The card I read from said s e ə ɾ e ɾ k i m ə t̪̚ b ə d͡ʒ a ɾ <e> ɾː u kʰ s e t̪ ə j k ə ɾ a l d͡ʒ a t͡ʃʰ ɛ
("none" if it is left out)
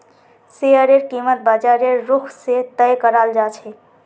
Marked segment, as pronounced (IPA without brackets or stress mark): e